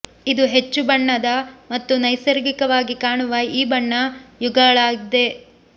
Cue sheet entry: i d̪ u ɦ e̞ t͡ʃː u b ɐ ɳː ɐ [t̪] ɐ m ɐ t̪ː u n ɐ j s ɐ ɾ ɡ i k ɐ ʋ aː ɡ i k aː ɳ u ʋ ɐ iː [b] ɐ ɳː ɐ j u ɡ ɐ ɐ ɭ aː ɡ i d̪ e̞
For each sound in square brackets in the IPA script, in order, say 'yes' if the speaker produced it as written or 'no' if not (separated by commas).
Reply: no, yes